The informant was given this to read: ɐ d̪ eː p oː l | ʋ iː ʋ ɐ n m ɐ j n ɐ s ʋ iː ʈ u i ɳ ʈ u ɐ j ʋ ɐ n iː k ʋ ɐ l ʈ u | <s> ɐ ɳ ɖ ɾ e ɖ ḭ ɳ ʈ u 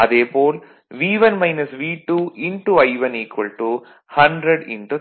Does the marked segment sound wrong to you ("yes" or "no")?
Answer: yes